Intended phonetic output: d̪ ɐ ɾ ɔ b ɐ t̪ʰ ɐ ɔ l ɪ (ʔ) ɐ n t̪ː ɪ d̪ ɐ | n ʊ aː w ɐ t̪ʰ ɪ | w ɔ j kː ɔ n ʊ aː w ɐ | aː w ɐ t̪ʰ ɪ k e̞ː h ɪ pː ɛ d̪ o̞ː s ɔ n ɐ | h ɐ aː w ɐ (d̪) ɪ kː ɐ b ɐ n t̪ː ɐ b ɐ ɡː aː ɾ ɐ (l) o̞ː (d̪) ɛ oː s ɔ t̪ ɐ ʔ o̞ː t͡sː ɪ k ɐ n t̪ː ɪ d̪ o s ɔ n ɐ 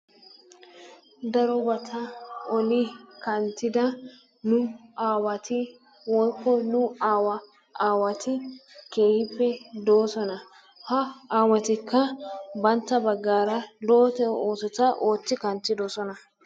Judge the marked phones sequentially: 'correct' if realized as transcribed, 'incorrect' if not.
incorrect: k, incorrect: t̪, correct, incorrect: t̪

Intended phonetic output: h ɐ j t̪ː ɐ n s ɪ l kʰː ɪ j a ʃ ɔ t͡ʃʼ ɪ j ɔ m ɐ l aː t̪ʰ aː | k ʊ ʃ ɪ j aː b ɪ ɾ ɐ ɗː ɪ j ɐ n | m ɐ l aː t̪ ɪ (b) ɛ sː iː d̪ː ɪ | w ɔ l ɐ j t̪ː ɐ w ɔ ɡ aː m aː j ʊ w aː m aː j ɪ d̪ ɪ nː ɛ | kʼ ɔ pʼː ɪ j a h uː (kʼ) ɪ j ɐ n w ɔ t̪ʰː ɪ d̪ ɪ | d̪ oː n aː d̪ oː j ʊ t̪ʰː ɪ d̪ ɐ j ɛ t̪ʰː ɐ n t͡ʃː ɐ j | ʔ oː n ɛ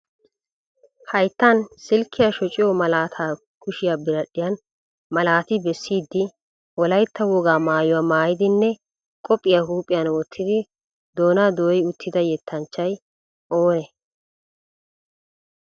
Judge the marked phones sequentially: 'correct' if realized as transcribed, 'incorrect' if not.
correct, incorrect: pʼ

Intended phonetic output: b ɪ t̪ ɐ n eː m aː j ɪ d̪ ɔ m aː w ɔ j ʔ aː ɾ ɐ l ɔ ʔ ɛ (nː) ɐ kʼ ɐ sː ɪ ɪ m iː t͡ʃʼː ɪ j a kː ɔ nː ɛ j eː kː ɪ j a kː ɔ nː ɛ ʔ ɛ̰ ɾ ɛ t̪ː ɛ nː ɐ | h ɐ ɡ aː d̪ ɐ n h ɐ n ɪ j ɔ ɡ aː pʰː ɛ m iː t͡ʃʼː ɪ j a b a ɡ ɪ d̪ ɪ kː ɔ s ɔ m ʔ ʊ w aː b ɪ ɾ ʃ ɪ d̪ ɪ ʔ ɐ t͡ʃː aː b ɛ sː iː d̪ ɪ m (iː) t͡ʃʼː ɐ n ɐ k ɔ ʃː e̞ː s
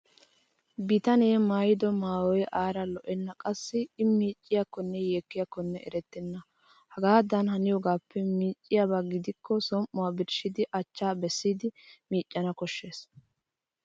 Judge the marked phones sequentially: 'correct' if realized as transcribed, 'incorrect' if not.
correct, correct

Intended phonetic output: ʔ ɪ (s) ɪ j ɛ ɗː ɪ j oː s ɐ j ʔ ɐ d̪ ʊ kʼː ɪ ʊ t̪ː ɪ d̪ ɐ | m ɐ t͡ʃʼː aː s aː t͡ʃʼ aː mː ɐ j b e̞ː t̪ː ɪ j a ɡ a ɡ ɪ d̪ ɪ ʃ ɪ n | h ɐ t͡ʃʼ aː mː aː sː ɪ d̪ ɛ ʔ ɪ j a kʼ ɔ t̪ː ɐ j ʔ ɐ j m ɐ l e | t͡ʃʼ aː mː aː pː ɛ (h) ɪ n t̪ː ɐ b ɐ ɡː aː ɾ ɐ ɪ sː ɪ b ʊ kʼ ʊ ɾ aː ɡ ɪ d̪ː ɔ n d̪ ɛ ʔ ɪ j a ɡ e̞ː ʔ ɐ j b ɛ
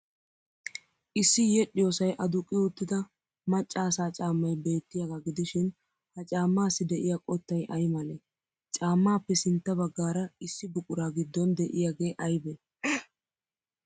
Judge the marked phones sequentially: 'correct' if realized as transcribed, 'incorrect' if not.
incorrect: sː, incorrect: s

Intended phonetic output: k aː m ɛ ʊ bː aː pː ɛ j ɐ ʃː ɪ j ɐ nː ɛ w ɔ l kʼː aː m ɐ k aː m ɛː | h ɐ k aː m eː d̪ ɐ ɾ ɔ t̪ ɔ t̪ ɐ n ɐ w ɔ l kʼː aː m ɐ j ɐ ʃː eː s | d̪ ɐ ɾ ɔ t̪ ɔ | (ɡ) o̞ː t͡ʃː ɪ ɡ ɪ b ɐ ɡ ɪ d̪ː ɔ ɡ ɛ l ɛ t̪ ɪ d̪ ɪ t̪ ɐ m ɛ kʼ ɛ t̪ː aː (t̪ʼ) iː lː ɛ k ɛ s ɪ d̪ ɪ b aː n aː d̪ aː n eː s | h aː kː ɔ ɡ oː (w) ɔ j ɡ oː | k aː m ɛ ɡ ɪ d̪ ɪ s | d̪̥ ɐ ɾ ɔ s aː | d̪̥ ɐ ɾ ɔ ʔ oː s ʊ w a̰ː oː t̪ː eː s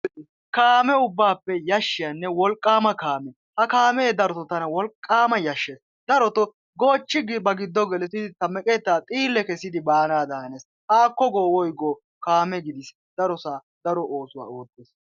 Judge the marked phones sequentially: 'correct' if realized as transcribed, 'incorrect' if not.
correct, correct, correct

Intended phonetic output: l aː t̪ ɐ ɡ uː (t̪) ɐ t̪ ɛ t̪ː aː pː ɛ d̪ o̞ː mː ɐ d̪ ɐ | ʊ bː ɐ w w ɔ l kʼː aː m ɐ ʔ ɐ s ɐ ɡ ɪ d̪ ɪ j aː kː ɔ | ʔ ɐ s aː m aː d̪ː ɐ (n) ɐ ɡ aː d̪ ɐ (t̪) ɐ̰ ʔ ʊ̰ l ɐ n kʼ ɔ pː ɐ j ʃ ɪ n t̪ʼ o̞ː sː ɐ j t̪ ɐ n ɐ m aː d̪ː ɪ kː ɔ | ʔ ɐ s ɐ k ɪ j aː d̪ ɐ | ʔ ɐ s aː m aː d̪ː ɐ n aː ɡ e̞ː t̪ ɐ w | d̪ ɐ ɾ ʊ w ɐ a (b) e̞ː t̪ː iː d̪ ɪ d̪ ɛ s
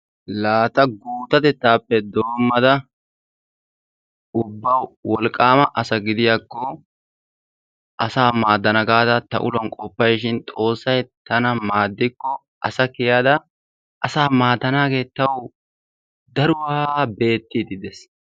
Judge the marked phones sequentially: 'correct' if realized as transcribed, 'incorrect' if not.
correct, correct, correct, correct

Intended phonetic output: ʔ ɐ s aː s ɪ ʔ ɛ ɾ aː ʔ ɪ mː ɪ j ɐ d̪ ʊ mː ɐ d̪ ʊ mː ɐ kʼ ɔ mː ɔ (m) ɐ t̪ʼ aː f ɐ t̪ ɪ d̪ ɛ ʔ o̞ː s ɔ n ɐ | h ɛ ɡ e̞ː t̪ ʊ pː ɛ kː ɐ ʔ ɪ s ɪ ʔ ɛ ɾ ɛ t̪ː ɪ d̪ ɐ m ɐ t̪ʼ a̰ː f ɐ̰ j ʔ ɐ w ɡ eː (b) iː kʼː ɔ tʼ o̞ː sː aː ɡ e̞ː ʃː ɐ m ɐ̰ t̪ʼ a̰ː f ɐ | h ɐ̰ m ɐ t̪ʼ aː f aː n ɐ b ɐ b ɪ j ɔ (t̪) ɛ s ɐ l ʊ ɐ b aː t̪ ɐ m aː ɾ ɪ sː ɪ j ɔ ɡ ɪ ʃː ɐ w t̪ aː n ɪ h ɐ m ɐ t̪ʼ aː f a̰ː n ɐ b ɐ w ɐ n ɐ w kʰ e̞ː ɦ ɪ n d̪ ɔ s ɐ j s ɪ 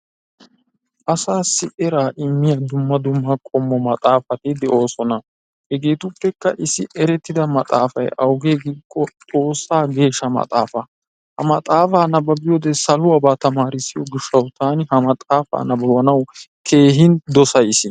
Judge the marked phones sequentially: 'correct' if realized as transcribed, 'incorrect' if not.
correct, incorrect: ɡ, incorrect: d̪

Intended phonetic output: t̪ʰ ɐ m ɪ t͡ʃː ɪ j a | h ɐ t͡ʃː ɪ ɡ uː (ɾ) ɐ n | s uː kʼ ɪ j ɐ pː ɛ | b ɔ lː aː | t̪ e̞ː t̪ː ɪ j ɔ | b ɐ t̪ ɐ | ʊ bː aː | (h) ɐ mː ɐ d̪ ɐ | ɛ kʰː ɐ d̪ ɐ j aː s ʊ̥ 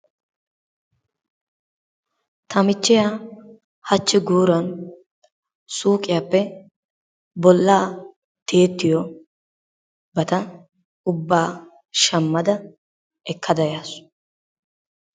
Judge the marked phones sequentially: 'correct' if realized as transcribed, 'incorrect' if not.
correct, incorrect: ʃ

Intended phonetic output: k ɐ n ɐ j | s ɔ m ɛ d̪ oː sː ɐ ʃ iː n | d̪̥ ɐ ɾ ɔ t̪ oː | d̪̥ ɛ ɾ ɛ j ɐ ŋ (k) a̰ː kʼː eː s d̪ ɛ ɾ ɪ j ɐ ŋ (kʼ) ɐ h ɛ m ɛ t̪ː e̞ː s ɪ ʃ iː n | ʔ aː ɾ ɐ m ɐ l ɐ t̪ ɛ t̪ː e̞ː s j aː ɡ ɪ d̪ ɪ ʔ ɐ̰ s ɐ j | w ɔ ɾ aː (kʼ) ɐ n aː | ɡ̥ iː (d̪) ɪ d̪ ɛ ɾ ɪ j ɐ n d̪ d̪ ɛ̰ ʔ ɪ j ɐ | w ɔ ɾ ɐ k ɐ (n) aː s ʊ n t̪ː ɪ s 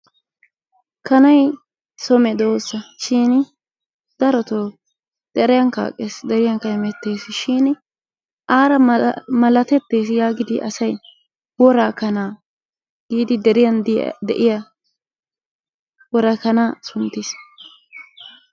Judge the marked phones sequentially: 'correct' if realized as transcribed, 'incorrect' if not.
correct, incorrect: k, incorrect: k, correct, correct

